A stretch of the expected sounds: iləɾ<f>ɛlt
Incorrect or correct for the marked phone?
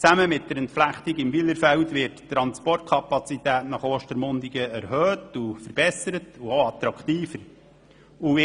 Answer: correct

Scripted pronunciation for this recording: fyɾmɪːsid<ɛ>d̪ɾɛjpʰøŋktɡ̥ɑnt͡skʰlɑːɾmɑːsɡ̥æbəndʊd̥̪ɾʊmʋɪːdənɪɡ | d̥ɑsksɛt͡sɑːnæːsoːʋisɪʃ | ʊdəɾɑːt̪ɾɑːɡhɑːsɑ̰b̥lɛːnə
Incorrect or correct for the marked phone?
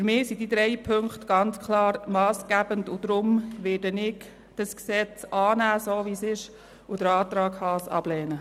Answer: incorrect: i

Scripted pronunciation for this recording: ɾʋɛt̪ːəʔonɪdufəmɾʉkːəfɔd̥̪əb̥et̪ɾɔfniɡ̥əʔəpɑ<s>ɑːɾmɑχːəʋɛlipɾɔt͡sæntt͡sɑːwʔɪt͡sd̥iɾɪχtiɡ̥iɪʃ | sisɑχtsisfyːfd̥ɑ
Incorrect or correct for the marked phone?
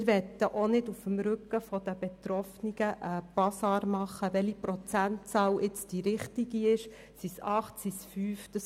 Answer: correct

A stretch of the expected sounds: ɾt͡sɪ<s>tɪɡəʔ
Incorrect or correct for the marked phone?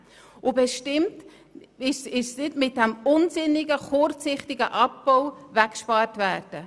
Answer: incorrect: χ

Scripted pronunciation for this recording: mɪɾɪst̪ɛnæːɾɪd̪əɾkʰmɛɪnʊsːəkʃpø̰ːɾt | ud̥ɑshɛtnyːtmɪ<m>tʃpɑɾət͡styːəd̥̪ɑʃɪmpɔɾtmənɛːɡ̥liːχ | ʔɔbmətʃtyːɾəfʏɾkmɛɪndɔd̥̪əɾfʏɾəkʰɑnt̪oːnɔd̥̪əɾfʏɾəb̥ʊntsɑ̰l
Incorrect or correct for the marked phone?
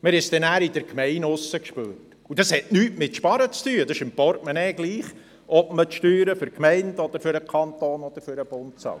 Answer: incorrect: none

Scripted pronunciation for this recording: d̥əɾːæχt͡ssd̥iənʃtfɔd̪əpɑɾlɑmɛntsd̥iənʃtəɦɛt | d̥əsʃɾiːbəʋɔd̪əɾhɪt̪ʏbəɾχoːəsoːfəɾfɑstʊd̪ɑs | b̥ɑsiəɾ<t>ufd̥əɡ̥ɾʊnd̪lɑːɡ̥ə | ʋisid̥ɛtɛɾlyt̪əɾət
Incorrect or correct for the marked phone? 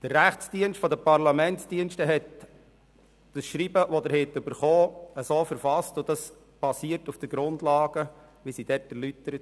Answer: correct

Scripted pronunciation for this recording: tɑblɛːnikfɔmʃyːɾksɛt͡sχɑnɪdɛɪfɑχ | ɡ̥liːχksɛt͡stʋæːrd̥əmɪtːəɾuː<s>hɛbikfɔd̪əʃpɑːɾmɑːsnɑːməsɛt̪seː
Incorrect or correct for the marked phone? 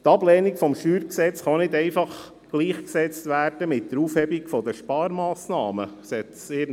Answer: incorrect: f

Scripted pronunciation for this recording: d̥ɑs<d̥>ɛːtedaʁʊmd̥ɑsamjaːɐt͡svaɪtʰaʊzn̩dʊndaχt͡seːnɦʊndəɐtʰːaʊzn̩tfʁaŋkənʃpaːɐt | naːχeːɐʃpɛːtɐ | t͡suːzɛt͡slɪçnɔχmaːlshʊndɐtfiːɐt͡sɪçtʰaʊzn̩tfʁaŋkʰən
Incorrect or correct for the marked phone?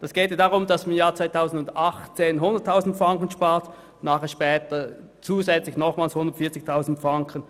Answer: incorrect: ɡ̥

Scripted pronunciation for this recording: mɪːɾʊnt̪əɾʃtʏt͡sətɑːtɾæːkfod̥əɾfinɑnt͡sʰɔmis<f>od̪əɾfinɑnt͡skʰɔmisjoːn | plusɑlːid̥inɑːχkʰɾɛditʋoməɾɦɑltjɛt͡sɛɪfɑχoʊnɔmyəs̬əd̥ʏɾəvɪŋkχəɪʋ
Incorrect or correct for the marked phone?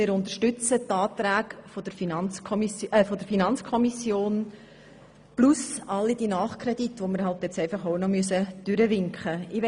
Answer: correct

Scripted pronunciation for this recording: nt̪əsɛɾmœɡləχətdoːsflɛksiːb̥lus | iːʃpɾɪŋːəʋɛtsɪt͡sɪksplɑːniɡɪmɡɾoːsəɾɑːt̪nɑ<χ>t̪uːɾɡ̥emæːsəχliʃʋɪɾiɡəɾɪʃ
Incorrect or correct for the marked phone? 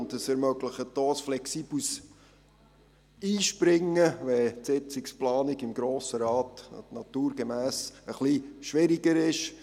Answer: incorrect: none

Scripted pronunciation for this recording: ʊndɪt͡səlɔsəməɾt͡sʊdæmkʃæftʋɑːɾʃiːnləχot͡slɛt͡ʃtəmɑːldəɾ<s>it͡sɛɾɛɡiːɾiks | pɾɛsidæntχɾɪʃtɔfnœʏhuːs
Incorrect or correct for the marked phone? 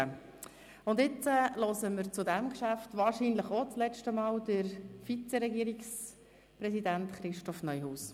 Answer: incorrect: f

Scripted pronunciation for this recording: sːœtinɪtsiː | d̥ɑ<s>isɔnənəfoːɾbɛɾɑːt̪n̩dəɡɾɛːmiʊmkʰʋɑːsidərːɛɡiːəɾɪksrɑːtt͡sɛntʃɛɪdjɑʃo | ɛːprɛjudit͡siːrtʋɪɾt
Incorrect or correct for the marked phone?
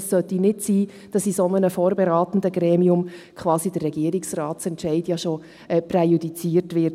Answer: correct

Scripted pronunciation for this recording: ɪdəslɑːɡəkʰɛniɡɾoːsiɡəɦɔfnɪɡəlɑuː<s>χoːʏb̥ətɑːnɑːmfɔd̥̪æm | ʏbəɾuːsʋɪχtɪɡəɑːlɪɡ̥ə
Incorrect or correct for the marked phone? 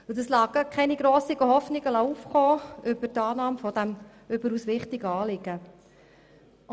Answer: incorrect: f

